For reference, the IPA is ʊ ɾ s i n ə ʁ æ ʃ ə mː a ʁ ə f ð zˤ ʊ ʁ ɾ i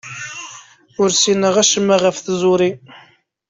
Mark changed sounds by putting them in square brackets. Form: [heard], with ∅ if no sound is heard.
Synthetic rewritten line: ʊ ɾ s i n ə ʁ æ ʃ ə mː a ʁ ə f [θ] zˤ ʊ [∅] ɾ i